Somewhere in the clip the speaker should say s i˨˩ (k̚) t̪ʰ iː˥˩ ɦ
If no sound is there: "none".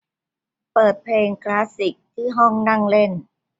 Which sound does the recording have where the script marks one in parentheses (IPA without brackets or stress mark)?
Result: k̚